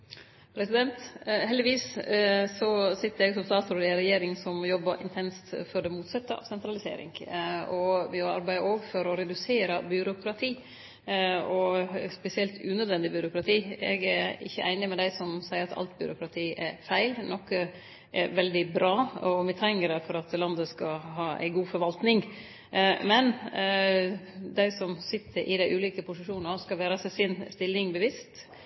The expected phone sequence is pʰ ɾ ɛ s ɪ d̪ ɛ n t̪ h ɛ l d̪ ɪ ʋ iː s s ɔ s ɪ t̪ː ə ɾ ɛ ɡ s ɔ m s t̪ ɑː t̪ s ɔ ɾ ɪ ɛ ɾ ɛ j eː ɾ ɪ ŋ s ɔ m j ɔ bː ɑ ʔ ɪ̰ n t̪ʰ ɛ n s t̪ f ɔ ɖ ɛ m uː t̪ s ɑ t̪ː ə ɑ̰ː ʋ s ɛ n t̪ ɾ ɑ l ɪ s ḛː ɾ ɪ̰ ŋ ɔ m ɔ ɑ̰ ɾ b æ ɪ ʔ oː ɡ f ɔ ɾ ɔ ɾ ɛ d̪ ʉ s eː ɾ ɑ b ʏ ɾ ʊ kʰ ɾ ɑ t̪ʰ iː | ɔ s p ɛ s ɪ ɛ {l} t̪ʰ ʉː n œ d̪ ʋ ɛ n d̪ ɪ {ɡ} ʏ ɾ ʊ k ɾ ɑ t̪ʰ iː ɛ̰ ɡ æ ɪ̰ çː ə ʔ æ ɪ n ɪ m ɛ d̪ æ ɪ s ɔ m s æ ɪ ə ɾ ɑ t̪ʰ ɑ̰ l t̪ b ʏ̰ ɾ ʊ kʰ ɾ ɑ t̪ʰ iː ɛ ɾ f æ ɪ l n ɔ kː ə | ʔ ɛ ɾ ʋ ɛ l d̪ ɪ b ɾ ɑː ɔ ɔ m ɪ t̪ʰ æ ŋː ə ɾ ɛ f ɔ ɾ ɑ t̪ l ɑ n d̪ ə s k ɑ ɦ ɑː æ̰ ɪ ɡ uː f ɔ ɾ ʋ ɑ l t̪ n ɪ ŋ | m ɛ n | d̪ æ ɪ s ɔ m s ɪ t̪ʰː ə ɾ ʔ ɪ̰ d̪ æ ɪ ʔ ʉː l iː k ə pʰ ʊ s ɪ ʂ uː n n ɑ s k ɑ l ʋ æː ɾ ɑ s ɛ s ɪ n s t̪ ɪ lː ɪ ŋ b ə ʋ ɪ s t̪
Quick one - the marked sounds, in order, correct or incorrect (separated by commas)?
correct, incorrect